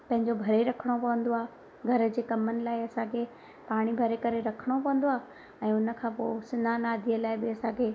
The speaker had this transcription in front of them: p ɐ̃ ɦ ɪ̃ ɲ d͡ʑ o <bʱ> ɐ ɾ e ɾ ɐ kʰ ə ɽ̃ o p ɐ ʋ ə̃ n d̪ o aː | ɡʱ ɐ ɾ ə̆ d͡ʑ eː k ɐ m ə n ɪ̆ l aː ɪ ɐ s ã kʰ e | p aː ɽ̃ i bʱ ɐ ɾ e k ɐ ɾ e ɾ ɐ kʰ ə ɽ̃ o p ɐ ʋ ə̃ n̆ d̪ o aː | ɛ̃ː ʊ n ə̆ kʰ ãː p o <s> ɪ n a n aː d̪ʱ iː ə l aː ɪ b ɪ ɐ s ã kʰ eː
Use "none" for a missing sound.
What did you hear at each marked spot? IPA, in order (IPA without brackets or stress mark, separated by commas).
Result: bʱ, s